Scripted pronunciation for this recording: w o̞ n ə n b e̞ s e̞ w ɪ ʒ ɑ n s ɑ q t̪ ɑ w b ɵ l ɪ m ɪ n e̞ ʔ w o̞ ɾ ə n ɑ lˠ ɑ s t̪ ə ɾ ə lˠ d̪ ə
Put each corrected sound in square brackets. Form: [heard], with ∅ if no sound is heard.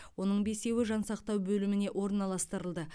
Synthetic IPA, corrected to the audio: w o̞ n ə [ɴ] b e̞ s e̞ w ɪ ʒ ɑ n s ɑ q t̪ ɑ w b ɵ l ɪ m ɪ n e̞ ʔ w o̞ ɾ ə n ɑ lˠ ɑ s t̪ ə ɾ ə lˠ d̪ ə